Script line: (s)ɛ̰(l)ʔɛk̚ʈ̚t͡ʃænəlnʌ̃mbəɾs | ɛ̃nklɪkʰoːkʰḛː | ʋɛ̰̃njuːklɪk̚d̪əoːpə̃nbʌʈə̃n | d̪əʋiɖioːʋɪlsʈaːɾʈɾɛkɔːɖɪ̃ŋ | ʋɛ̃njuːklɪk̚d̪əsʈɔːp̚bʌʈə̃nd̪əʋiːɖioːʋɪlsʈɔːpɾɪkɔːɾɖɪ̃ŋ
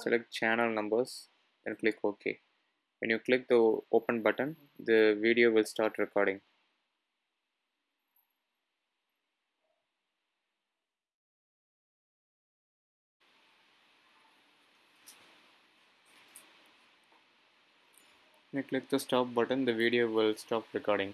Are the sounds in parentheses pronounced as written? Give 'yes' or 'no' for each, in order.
yes, yes

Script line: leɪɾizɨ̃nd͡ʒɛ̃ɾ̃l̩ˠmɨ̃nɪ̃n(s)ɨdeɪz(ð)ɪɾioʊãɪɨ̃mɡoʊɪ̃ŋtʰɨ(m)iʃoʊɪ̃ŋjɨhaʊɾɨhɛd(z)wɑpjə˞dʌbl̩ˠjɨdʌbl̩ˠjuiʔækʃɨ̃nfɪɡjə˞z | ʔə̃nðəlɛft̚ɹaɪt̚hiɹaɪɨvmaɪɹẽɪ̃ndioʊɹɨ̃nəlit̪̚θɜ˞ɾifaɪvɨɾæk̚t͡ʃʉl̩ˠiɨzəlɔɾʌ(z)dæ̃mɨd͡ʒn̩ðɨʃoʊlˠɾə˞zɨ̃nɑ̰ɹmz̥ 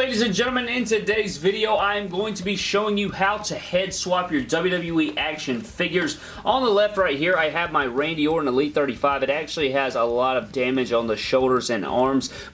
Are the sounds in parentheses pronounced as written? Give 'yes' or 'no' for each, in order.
no, no, no, no, no

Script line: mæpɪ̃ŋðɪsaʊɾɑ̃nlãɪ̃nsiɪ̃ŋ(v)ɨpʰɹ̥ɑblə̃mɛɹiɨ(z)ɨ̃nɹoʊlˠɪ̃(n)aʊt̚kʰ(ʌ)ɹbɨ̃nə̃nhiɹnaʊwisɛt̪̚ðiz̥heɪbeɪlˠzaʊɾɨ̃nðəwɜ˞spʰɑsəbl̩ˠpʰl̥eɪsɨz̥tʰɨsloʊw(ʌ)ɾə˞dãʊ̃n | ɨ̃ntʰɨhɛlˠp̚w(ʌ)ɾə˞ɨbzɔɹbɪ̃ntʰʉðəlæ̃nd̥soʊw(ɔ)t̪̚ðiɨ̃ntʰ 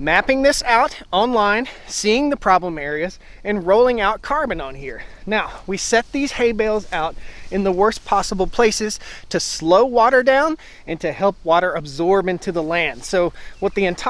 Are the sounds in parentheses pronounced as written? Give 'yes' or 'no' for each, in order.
no, yes, no, no, no, no, no

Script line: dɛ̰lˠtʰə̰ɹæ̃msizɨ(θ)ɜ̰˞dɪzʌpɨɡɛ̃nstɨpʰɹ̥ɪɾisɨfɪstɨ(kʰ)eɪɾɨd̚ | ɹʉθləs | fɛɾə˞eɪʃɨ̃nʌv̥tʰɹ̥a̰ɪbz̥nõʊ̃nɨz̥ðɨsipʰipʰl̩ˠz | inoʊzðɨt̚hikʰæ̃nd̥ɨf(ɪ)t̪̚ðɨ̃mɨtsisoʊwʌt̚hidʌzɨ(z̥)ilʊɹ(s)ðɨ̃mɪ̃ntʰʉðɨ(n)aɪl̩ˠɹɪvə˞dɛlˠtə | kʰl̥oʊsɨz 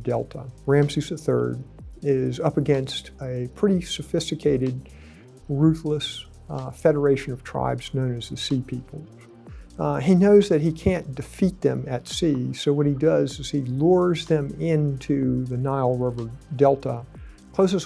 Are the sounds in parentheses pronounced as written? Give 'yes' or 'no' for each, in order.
yes, yes, no, yes, no, yes

